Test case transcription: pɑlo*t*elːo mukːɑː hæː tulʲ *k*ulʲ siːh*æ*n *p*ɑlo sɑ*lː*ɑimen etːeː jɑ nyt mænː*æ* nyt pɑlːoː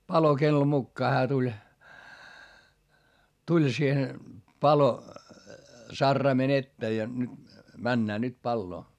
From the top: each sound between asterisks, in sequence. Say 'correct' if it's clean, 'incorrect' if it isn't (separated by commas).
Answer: incorrect, incorrect, incorrect, correct, incorrect, incorrect